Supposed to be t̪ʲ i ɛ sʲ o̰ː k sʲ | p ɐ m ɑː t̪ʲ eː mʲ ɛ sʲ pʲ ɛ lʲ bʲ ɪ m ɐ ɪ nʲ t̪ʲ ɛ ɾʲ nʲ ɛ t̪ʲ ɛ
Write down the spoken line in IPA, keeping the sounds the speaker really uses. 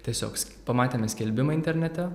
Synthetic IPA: t̪ʲ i ɛ sʲ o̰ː k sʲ | p ɐ m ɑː t̪ʲ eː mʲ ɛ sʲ kʲ ɛ lʲ bʲ ɪ m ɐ ɪ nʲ t̪ʲ ɛ ɾʲ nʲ ɛ t̪ʲ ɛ